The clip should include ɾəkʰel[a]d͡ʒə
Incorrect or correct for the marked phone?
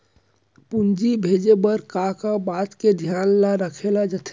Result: correct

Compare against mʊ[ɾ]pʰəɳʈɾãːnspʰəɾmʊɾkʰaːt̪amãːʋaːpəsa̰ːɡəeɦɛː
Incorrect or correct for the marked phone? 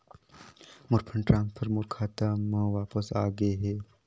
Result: correct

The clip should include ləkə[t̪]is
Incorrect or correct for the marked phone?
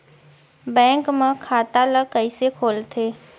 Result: incorrect: none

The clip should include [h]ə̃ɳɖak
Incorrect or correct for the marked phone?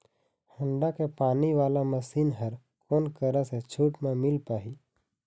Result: correct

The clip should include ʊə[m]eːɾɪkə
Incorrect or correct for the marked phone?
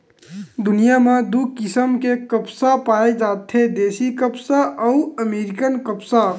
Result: correct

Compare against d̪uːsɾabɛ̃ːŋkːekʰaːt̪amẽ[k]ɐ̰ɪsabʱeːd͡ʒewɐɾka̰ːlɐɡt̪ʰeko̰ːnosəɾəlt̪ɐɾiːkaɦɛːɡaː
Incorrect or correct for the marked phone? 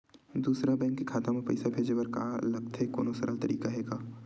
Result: incorrect: p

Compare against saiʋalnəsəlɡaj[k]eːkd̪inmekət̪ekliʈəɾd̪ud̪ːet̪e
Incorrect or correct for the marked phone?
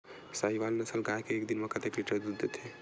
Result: correct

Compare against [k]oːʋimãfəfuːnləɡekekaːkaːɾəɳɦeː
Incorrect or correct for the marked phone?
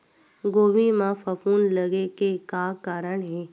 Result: incorrect: ɡ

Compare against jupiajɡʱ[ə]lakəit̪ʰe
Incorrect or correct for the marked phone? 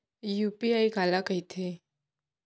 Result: incorrect: a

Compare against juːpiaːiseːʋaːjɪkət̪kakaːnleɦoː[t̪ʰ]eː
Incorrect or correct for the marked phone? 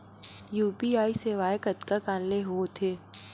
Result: correct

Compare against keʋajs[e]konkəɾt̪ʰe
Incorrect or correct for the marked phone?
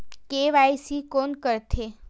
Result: incorrect: i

